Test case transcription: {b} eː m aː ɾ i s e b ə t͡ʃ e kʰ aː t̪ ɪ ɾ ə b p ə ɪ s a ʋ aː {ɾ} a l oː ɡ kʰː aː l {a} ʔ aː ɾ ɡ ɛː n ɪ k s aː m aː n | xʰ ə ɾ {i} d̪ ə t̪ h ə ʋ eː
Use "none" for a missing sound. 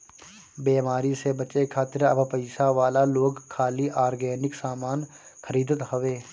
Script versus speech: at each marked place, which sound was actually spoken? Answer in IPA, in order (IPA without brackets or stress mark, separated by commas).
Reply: b, l, i, iː